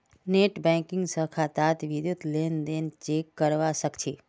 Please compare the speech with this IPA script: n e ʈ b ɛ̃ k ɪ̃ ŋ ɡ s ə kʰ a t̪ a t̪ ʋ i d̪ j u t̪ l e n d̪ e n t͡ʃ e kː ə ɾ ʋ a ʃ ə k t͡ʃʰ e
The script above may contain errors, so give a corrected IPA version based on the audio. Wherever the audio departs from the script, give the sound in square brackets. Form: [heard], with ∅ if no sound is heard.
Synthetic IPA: n e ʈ b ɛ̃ k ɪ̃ ŋ ɡ s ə kʰ a t̪ a t̪ ʋ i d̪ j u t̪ l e n d̪ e n t͡ʃ e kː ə ɾ ʋ a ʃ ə k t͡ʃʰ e